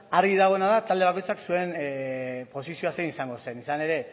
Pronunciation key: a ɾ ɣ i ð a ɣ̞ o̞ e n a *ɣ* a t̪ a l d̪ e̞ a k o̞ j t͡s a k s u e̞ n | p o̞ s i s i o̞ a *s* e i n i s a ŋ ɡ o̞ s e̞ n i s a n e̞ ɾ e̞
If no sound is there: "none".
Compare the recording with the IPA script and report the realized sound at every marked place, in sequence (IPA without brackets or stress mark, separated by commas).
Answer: ð, s